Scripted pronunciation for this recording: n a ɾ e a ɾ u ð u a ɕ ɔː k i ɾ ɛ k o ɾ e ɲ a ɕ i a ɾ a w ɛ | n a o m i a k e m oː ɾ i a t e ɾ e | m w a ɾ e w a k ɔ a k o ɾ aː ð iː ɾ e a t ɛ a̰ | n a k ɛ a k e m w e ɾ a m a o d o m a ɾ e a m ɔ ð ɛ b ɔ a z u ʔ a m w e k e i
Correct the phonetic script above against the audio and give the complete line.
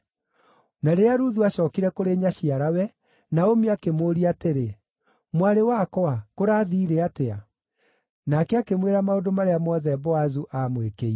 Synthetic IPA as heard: n a ɾ e a ɾ u ð u a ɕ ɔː k i ɾ ɛ k o ɾ e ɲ a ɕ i a ɾ a w ɛ | n a o m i a k e m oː ɾ i a t e ɾ e | m w a ɾ e w a k ɔ a k o ɾ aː ð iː ɾ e a t e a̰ | n a k ɛ a k e m w e ɾ a m a o d o m a ɾ e a m ɔ ð ɛ b ɔ a z u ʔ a m w e k e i

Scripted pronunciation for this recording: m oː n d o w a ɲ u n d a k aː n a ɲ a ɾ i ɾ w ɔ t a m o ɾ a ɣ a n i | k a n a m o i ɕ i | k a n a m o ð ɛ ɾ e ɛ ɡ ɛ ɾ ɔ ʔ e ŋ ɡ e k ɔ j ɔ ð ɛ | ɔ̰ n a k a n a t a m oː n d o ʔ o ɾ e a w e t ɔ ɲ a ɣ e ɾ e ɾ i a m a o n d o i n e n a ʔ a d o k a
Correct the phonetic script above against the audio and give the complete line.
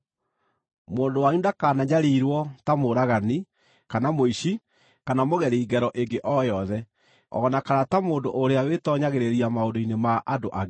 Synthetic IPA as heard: m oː n d o w a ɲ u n d a k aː n a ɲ a ɾ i ɾ w ɔ t a m o ɾ a ɣ a n i | k a n a m o i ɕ i | k a n a m o ɣ ɛ ɾ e i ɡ ɛ ɾ ɔ ʔ e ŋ ɡ e ʔ ɔ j ɔ ð ɛ | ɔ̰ n a k a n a t a m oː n d o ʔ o ɾ e a w e t ɔ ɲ a ɣ e ɾ e ɾ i a m a o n d o i n e m a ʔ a d o ʔ a

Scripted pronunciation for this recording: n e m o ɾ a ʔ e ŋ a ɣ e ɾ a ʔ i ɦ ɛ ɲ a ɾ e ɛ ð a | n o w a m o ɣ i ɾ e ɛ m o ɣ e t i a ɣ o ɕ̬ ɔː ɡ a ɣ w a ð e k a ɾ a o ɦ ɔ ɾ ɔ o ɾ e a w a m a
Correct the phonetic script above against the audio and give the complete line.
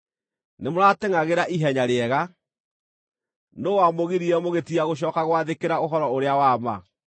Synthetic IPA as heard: n e m o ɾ a t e ŋ a ɣ e ɾ a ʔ i ɦ ɛ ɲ a ɾ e ɛ ɣ a | n o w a m o ɣ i ɾ i ɛ m o ɣ e t i a ɣ o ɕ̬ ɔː k a ɣ w a ð e k e ɾ a o ɦ ɔ ɾ ɔ o ɾ e a w a m a

